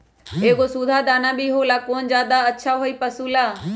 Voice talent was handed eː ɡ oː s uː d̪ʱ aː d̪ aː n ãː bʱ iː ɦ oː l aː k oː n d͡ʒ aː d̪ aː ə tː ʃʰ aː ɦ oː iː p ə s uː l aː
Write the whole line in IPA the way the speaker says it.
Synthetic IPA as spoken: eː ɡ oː s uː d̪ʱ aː d̪ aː n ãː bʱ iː ɦ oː l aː k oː n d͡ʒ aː d̪ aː ə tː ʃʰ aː ɦ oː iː p ə s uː l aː